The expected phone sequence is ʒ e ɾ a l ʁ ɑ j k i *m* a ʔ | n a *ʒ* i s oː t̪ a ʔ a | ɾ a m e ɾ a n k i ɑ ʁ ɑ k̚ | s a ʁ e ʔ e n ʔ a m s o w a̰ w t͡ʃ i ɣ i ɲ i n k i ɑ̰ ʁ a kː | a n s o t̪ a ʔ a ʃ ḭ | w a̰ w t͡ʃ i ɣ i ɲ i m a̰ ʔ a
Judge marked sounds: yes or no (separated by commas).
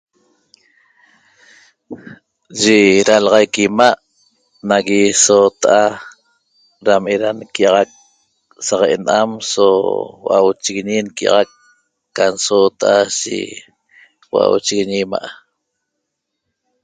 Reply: yes, no